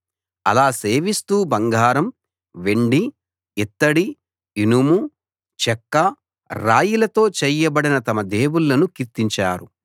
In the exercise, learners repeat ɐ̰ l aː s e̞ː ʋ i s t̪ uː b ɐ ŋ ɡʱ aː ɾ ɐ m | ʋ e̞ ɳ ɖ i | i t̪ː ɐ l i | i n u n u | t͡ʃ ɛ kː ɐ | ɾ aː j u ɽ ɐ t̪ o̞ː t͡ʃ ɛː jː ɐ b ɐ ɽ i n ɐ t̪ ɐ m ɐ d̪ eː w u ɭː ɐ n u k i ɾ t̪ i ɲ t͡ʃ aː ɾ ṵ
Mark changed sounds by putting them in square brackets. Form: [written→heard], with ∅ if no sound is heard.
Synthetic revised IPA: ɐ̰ l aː s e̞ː ʋ i s t̪ uː b ɐ ŋ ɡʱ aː ɾ ɐ m | ʋ e̞ ɳ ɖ i | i t̪ː ɐ [l→ɽ] i | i n u [n→m] u | t͡ʃ ɛ kː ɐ | ɾ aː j u [ɽ→l] ɐ t̪ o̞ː t͡ʃ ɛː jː ɐ b ɐ ɽ i n ɐ t̪ ɐ m ɐ d̪ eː w u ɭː ɐ n u k i ɾ t̪ i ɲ t͡ʃ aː ɾ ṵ